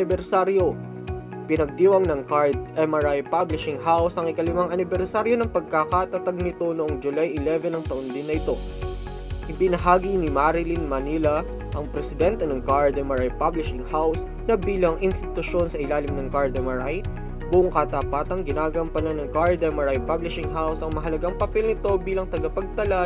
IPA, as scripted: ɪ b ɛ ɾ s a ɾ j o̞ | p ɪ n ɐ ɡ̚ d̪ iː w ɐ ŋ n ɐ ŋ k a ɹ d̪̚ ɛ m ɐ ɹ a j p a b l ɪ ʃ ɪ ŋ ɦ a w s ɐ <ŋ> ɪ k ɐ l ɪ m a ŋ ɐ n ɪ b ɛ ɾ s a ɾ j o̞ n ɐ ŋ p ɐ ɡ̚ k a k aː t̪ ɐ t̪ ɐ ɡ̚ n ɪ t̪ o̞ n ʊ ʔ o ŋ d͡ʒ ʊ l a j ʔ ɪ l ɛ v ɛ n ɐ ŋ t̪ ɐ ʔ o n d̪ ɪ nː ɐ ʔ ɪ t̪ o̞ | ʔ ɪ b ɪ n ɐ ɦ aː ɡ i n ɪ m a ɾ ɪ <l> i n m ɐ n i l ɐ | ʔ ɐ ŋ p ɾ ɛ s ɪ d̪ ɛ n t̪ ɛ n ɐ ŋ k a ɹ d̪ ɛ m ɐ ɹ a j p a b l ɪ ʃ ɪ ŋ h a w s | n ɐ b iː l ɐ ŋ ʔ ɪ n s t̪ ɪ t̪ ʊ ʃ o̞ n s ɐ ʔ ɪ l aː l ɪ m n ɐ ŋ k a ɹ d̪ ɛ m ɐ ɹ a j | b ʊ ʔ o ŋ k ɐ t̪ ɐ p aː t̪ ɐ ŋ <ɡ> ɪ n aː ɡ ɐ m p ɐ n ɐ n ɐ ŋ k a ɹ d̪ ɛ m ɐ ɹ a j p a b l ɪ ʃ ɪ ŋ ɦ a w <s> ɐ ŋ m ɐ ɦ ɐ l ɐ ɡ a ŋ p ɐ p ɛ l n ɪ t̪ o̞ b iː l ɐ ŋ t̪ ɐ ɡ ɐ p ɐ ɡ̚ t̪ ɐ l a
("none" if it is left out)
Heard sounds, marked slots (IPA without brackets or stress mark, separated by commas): ŋ, l, ɡ, s